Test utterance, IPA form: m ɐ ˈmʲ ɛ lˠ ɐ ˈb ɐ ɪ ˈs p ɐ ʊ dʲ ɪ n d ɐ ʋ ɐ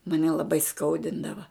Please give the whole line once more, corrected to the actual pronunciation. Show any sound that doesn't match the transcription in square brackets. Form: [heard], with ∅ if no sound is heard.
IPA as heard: m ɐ [ˈnʲ] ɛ lˠ ɐ ˈb ɐ ɪ ˈs [k] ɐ ʊ dʲ ɪ n d ɐ ʋ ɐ